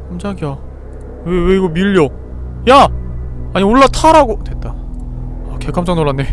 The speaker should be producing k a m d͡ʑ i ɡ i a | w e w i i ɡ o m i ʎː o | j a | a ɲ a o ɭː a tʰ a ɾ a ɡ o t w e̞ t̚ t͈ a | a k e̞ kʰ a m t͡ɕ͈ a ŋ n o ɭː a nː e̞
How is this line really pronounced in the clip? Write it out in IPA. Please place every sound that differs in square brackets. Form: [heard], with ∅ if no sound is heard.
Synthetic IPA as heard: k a m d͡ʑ [a] ɡ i a | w e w [e] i ɡ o m i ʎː o | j a | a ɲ [i] o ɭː a tʰ a ɾ a ɡ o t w e̞ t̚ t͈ a | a k e̞ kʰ a m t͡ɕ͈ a ŋ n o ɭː a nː e̞